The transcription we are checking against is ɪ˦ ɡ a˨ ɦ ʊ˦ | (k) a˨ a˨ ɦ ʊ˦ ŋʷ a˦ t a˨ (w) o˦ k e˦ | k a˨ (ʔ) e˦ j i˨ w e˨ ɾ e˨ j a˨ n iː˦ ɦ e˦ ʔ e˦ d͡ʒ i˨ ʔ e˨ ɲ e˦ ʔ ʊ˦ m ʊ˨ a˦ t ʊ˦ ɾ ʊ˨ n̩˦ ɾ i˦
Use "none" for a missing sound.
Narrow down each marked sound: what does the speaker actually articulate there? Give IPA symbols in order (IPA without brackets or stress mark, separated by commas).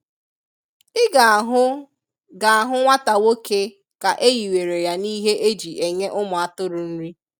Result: ɡ, w, ʔ